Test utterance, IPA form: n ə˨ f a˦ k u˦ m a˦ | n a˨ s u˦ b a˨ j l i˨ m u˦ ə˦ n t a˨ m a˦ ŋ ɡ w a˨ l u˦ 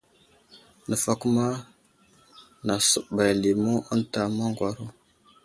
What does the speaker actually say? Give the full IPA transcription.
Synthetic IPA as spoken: n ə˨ f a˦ k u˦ m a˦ | n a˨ s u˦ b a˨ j l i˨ m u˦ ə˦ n t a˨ m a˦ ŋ ɡ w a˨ ɾ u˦